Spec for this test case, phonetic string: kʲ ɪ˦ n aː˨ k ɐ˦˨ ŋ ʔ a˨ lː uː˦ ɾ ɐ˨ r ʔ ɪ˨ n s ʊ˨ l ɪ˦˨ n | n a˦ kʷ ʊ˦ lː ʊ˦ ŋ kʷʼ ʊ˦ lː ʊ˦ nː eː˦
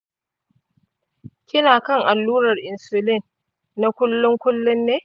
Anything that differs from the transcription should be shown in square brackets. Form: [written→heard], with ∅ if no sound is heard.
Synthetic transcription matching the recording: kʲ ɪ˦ n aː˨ k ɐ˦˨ ŋ ʔ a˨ lː uː˦ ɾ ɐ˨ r ʔ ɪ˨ n s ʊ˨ l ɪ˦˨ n | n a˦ kʷ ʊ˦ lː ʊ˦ ŋ [kʷʼ→kʷ] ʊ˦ lː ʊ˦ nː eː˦